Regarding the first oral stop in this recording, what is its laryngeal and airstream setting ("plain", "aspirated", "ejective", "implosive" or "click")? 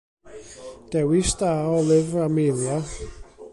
plain